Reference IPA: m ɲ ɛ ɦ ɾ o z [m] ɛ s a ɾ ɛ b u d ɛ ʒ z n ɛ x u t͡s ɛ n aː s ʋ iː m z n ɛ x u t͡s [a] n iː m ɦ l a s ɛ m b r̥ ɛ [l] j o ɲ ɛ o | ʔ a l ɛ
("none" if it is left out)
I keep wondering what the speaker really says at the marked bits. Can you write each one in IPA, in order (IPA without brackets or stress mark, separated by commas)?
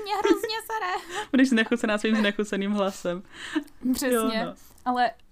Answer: ɲ, ɛ, none